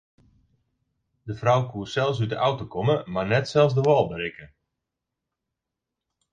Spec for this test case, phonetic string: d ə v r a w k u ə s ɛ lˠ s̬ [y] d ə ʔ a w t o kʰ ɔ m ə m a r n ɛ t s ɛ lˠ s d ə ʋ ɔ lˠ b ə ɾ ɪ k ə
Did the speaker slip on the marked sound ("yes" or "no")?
no